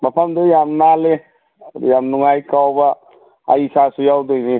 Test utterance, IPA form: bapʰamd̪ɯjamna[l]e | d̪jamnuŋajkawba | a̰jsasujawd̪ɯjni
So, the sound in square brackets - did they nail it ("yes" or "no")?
yes